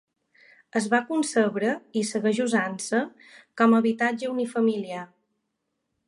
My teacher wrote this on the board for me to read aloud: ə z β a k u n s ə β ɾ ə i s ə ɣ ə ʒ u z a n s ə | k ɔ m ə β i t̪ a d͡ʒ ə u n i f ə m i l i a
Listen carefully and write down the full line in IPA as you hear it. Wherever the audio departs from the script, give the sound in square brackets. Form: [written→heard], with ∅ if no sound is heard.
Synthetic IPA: ə z β a k u n s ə β ɾ ə i s ə ɣ ə ʒ u z a n s ə | k ɔ m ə β i t̪ a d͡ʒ ə u n i f ə m i l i a